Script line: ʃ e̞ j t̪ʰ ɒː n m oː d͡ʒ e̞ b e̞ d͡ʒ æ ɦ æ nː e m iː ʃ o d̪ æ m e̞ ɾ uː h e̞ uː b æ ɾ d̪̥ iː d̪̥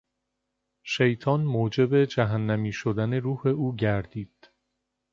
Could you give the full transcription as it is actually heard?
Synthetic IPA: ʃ e̞ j t̪ʰ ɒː n m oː d͡ʒ e̞ b e̞ d͡ʒ æ ɦ æ nː æ m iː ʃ o d̪ æ n e̞ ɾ uː h e̞ uː ɟ æ ɾ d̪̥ iː d̪̥